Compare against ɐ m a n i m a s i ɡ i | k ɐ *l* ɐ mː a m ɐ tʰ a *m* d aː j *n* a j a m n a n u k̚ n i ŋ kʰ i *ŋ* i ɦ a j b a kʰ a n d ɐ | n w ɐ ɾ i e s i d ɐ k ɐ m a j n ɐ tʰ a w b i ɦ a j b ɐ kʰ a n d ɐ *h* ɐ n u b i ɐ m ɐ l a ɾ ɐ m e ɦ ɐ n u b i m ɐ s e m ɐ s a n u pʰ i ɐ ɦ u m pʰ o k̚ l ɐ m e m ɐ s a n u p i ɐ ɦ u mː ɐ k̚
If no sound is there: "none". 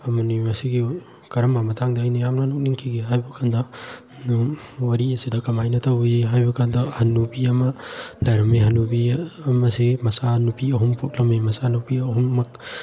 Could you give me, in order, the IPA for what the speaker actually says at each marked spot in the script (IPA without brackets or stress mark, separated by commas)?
ɾ, ŋ, n, ɡ, h